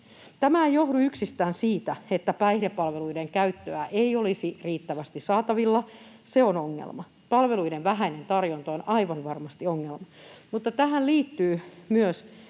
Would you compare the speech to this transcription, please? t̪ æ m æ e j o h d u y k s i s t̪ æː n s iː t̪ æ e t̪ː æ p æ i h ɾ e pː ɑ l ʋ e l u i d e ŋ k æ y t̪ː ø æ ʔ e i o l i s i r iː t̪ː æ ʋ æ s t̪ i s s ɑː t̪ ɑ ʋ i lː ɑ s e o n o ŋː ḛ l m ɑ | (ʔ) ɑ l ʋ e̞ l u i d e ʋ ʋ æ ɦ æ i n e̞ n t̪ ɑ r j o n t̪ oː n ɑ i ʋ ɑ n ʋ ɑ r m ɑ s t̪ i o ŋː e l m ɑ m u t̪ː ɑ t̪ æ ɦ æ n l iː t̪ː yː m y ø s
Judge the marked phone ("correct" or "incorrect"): incorrect